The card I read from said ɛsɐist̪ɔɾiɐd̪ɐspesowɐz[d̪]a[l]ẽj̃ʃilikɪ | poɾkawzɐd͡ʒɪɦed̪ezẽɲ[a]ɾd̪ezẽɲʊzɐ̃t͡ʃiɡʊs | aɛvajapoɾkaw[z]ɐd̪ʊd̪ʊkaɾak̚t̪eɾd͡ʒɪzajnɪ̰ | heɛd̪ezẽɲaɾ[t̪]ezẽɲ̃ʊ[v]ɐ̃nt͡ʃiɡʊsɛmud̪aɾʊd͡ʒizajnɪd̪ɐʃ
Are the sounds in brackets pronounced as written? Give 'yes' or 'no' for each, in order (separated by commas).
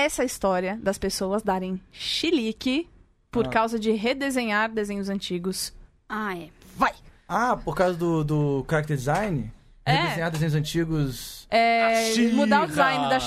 yes, no, yes, yes, no, no